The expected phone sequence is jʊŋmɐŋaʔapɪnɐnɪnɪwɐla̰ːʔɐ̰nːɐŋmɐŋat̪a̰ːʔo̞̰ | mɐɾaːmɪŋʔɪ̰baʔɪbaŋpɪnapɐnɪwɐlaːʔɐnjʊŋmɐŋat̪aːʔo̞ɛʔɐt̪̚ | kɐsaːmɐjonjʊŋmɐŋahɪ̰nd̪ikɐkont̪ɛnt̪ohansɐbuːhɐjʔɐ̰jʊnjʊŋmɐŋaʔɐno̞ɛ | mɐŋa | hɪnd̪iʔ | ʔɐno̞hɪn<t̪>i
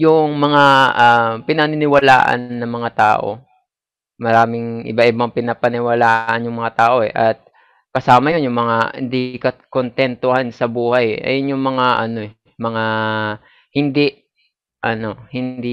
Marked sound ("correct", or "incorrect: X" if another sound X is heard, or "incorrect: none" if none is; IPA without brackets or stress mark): incorrect: d̪